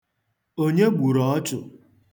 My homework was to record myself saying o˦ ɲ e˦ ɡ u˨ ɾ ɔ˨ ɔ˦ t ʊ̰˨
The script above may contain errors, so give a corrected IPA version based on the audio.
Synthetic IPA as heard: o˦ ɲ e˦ ɡ͡b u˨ ɾ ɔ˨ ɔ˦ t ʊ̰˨